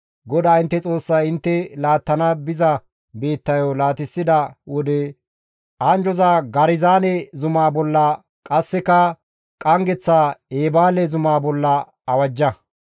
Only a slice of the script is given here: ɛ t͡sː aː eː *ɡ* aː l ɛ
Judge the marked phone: incorrect: b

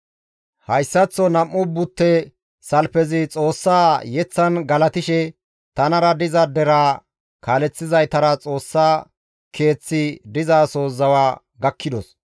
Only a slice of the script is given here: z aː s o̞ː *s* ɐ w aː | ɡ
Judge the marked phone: incorrect: z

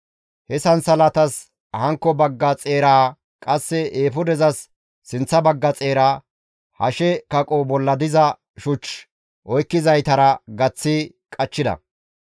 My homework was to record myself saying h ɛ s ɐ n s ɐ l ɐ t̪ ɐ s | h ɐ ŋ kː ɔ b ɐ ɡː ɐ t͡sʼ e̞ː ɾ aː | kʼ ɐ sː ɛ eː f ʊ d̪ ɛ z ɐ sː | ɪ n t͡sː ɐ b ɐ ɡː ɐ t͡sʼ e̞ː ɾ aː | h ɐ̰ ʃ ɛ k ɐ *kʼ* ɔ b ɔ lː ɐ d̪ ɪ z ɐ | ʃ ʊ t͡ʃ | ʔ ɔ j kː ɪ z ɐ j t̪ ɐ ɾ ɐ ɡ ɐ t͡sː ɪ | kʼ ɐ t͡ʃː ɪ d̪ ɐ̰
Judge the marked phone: correct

